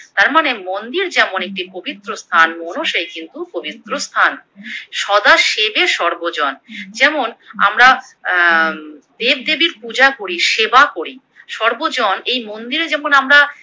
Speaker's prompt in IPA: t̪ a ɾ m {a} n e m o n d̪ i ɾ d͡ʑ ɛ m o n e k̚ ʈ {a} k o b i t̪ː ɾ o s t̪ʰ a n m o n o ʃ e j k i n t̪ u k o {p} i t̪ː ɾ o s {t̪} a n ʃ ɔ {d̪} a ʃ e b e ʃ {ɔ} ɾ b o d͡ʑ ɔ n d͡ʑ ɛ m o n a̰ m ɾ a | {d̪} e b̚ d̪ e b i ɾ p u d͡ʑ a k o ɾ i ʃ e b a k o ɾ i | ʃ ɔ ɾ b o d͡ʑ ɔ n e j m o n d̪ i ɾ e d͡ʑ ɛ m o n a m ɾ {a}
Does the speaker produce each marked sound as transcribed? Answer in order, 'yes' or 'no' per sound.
yes, no, no, no, yes, yes, yes, yes

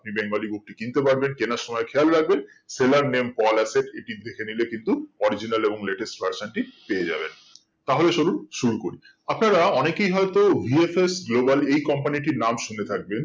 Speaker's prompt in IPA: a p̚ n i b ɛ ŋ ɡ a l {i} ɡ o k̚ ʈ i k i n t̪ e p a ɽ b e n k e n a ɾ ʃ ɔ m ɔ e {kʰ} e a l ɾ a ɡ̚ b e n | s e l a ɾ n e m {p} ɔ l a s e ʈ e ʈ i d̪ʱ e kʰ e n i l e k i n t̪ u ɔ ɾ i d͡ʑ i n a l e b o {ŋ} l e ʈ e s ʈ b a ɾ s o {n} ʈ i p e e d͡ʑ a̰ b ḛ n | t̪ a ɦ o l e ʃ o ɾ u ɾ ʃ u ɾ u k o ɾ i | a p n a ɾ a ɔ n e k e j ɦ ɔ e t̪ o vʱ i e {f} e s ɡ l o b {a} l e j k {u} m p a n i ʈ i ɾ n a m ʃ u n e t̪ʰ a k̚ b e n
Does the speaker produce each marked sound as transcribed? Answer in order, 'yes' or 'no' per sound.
yes, yes, yes, yes, yes, yes, yes, no

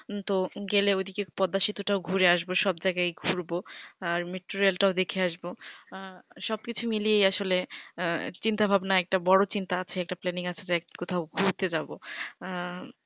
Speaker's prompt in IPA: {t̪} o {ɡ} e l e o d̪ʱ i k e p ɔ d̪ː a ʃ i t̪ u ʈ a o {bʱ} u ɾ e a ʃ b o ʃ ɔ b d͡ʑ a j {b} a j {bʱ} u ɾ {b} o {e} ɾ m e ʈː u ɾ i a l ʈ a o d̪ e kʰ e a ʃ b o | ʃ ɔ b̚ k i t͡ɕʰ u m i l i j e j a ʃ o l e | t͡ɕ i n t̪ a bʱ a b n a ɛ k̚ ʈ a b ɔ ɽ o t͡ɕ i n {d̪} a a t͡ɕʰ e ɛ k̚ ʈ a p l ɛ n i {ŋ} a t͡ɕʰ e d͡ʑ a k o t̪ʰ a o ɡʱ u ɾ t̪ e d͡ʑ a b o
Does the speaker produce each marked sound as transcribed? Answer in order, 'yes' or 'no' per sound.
yes, yes, no, no, no, yes, no, no, yes

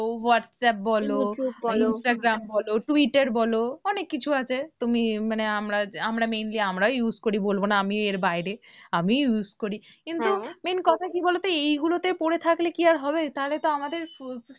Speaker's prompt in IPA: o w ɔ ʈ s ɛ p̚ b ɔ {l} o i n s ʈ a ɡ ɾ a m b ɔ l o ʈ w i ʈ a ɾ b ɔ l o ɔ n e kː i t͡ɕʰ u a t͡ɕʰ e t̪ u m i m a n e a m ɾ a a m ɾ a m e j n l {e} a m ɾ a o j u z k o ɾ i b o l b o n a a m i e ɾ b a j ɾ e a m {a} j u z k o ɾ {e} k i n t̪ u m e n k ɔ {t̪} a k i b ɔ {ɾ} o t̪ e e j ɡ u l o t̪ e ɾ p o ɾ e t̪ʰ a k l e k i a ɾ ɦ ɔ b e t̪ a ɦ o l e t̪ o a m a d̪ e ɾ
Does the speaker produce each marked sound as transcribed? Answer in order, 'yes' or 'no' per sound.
yes, no, no, no, no, no

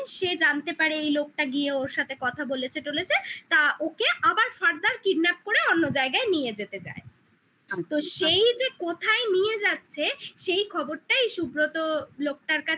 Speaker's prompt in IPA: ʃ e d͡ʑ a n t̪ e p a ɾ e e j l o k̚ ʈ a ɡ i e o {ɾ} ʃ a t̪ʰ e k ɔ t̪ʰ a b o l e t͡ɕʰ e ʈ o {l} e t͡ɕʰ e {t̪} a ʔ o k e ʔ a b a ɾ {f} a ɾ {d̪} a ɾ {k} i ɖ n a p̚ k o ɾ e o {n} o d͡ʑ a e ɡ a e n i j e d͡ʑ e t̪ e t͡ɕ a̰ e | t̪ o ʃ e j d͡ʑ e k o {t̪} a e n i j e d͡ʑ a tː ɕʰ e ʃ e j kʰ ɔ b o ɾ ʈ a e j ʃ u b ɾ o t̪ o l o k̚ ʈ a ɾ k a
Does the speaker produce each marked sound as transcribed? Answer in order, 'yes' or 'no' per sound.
yes, yes, yes, yes, yes, yes, no, no

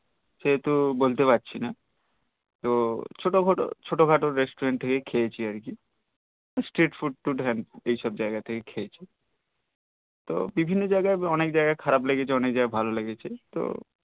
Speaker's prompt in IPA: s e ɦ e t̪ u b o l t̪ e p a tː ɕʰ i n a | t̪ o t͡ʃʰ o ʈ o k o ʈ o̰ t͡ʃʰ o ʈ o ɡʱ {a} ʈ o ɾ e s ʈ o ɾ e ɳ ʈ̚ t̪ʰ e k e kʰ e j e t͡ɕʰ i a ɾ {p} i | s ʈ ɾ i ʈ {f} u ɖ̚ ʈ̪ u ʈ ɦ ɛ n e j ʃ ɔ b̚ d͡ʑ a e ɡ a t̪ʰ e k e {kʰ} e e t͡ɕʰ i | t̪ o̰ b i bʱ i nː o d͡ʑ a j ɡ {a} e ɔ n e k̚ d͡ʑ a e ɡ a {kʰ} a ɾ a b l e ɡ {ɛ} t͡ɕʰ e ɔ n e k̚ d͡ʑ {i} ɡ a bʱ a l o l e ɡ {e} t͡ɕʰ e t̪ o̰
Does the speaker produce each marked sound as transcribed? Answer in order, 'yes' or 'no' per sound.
yes, no, yes, yes, yes, yes, no, no, yes

